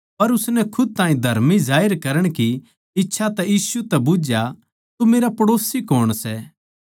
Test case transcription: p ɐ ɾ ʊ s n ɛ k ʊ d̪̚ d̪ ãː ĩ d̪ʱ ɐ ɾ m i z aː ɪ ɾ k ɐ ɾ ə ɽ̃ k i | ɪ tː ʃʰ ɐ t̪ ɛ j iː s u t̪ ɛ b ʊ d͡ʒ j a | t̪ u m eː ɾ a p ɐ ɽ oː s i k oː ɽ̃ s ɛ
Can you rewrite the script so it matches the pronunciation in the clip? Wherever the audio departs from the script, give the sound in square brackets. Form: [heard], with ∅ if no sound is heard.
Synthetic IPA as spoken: p ɐ ɾ ʊ s n ɛ [kʰ] ʊ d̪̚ [t̪] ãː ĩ d̪ʱ ɐ ɾ m i z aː ɪ ɾ k ɐ ɾ ə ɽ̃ k i | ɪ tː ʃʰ [a] t̪ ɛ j iː s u t̪ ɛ b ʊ d͡ʒ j a | t̪ u m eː ɾ a p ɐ ɽ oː s i k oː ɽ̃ s ɛ